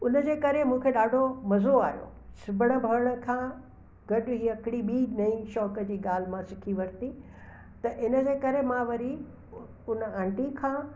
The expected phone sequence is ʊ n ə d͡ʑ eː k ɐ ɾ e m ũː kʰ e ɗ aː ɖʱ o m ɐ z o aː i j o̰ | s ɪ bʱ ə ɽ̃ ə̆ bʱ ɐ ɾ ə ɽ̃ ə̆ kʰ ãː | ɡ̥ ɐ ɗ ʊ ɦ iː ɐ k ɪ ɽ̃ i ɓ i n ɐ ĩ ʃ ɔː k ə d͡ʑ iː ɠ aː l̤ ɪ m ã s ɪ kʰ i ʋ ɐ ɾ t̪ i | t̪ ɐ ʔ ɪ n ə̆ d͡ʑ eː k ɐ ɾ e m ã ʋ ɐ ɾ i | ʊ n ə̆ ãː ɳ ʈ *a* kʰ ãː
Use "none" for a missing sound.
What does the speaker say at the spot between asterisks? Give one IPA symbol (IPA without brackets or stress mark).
i